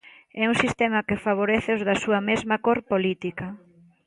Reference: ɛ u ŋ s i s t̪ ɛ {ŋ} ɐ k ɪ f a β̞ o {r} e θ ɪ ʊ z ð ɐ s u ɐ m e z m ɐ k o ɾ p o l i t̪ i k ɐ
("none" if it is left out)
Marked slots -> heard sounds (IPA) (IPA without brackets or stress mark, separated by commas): m, ɾ